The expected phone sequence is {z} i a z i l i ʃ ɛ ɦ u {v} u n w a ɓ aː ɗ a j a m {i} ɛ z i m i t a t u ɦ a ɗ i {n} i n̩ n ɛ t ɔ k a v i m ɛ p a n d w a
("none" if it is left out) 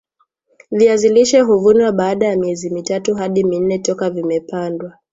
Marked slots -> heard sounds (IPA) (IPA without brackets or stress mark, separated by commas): v, v, i, m